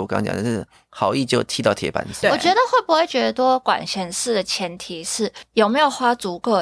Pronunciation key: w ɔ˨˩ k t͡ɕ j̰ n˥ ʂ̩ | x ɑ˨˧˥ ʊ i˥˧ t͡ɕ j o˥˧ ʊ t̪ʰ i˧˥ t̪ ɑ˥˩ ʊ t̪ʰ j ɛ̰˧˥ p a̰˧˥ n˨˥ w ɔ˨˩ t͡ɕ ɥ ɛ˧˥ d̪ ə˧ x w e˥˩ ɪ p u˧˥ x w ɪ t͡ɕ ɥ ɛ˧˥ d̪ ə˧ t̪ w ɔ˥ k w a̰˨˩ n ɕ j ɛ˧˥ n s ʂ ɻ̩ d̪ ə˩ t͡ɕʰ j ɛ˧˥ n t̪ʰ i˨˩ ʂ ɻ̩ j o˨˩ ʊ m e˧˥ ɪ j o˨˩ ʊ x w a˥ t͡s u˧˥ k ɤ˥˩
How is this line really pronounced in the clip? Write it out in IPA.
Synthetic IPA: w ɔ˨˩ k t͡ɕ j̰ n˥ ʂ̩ | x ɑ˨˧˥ ʊ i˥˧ t͡ɕ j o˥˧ ʊ t̪ʰ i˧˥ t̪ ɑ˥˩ ʊ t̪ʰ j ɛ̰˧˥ p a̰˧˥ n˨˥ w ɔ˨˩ t͡ɕ ɥ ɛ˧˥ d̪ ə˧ x w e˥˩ ɪ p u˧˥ x w ɪ t͡ɕ ɥ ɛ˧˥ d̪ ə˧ t̪ w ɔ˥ k w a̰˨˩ n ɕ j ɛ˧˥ n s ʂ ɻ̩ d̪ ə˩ t͡ɕʰ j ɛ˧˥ n t̪ʰ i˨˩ ʂ ɻ̩ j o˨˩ ʊ m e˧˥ ɪ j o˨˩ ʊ x w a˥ t͡s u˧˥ k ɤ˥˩